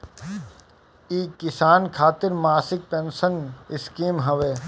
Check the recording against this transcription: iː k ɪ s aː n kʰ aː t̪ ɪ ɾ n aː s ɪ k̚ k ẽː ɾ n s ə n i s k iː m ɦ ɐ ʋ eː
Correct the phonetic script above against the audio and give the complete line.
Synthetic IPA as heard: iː k ɪ s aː n kʰ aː t̪ ɪ ɾ m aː s ɪ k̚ p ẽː n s ə n ɪ s k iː m ɦ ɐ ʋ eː